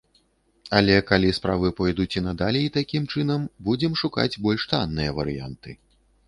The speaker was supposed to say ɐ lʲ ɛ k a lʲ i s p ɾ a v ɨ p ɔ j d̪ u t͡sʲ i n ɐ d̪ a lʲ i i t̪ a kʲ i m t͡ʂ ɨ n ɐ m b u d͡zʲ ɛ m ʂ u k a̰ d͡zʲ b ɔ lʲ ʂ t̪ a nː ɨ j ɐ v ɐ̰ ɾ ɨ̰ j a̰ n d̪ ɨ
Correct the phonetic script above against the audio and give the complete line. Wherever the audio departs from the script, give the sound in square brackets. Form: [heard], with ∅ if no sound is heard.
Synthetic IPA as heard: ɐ lʲ ɛ k a lʲ i s p ɾ a v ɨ p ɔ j d̪ u t͡sʲ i n ɐ d̪ a lʲ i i t̪ a kʲ i m t͡ʂ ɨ n ɐ m b u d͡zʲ ɛ m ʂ u k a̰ d͡zʲ b ɔ lʲ ʂ t̪ a nː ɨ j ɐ v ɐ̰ ɾ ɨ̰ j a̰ n [t̪] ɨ